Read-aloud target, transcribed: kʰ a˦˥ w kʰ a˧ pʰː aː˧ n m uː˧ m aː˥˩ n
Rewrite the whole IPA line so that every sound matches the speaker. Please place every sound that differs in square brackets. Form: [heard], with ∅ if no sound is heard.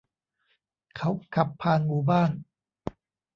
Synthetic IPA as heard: kʰ a˦˥ w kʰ [a˨˩] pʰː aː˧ n m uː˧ [b] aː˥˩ n